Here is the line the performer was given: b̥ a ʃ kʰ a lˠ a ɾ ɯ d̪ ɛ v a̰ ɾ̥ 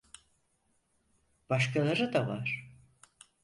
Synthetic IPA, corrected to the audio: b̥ a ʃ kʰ a lˠ a ɾ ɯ d̪ a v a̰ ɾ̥